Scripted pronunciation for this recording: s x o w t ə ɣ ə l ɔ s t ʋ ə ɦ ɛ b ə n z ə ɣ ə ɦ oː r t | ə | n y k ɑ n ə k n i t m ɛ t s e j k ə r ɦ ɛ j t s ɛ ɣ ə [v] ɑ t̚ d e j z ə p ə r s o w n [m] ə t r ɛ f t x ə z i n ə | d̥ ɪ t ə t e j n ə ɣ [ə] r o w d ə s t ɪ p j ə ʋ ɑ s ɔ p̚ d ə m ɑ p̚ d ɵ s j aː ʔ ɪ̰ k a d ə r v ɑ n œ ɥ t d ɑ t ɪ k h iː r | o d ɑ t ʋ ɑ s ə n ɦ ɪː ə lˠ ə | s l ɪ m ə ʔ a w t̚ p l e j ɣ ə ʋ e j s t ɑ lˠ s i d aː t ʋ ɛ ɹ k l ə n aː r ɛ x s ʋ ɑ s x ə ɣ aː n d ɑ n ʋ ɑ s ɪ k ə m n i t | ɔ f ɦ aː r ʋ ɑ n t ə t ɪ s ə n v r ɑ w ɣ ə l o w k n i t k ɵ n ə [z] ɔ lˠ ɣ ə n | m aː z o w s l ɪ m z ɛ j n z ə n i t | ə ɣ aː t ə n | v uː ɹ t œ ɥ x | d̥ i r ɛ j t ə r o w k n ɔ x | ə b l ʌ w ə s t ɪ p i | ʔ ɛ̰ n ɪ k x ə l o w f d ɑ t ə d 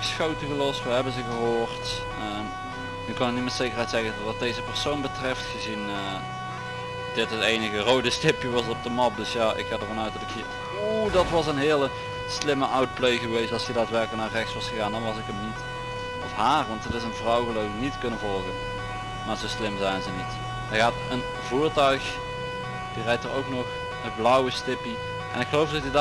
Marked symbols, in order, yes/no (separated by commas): no, no, yes, no